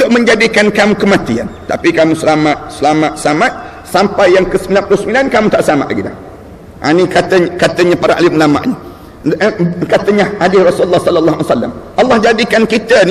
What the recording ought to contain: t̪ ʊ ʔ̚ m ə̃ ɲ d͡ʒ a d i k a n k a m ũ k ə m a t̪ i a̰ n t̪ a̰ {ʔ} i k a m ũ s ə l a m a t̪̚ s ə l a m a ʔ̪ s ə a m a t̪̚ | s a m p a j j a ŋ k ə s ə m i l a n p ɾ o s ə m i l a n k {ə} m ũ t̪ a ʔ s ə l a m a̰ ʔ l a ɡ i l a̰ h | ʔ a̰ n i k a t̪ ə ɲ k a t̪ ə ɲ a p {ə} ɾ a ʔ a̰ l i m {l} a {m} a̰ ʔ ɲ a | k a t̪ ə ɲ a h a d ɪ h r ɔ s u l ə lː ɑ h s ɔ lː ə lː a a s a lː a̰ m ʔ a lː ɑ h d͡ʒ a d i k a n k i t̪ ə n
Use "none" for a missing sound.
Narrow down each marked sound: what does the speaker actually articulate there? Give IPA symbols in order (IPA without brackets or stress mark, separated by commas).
p, a, a, l, m